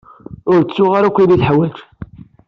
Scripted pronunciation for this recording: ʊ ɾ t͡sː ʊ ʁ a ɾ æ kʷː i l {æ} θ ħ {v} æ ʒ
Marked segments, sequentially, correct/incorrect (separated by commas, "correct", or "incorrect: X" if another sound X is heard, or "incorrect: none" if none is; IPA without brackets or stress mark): incorrect: i, incorrect: w